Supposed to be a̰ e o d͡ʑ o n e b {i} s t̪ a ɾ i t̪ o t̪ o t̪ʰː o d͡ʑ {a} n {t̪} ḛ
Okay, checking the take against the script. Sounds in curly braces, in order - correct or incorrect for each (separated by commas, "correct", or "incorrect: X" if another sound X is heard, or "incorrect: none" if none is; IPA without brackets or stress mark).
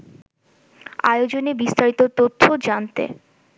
correct, correct, correct